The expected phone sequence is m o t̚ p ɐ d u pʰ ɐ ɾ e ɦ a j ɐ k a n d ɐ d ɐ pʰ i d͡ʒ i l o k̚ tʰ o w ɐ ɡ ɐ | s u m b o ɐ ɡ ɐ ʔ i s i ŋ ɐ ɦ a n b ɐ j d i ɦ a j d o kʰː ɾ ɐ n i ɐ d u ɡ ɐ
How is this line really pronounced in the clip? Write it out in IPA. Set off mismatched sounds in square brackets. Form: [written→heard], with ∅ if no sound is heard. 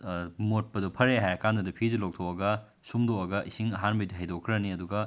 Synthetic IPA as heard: m o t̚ p ɐ d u pʰ ɐ ɾ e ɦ a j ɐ k a n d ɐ d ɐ pʰ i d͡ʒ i l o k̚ tʰ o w ɐ ɡ ɐ | s u m [b→d] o ɐ ɡ ɐ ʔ i s i ŋ ɐ ɦ a n b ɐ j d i ɦ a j d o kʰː ɾ ɐ n i ɐ d u ɡ ɐ